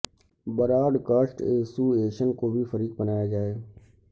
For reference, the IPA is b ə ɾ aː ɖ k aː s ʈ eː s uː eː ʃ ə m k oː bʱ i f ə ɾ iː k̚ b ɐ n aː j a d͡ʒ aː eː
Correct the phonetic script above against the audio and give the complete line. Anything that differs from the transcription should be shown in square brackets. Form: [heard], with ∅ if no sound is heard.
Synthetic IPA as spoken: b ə ɾ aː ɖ k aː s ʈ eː s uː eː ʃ ə [n] k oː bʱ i f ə ɾ iː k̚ b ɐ n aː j a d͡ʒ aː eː